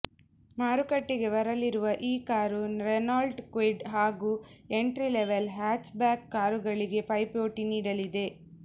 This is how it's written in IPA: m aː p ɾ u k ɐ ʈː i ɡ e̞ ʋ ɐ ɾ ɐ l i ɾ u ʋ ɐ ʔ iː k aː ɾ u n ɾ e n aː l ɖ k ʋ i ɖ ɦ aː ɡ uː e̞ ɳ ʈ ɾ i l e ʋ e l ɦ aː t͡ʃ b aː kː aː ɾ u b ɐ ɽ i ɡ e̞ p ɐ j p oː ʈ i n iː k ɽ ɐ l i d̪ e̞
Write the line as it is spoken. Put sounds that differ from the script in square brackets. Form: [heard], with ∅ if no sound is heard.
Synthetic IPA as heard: m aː [∅] ɾ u k ɐ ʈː i ɡ e̞ ʋ ɐ ɾ ɐ l i ɾ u ʋ ɐ ʔ iː k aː ɾ u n ɾ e n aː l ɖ k ʋ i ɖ ɦ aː ɡ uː e̞ ɳ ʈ ɾ i l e ʋ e l ɦ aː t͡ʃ b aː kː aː ɾ u [ɡ] ɐ [ɭ] i ɡ e̞ p ɐ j p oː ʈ i n iː [∅] ɽ ɐ l i d̪ e̞